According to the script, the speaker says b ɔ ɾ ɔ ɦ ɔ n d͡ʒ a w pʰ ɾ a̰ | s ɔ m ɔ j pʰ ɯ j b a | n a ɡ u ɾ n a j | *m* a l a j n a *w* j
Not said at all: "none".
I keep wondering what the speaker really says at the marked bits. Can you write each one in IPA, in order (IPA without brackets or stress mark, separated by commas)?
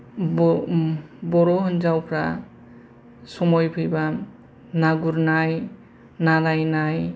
n, none